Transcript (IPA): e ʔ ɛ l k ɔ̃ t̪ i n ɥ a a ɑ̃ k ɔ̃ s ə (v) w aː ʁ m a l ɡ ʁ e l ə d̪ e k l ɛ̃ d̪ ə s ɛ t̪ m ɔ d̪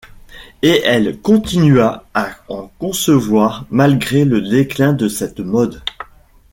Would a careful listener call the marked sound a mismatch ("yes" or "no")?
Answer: no